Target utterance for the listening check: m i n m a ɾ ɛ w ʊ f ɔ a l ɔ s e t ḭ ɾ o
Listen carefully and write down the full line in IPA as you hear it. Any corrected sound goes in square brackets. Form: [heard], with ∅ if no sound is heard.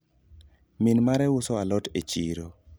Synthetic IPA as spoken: m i n m a ɾ ɛ w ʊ [s] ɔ a l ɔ [t] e [t͡ʃ] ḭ ɾ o